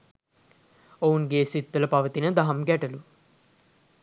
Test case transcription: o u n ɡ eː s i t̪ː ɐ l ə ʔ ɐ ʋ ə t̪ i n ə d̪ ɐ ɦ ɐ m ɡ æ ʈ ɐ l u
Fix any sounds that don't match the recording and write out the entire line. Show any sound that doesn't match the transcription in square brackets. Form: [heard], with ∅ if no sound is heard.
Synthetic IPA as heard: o u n ɡ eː s i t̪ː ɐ l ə [p] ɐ ʋ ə t̪ i n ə d̪ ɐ ɦ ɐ m ɡ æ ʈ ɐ l u